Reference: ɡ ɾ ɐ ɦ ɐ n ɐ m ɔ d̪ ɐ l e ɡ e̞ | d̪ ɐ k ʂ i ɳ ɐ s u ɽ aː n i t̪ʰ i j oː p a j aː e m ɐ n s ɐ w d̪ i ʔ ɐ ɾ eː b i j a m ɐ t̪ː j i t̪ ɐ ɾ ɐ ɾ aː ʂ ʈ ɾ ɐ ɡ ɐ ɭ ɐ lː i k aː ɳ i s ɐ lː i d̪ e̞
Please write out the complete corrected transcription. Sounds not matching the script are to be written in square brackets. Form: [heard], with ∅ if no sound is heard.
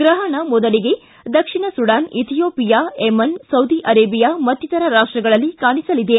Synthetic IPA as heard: ɡ ɾ ɐ ɦ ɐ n ɐ m ɔ d̪ ɐ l [i] ɡ e̞ | d̪ ɐ k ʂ i ɳ ɐ s u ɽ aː n i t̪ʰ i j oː p [i] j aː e m ɐ n s ɐ w d̪ i ʔ ɐ ɾ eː b i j a m ɐ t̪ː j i t̪ ɐ ɾ ɐ ɾ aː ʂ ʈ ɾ ɐ ɡ ɐ ɭ ɐ lː i k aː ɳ i s ɐ [l] i d̪ e̞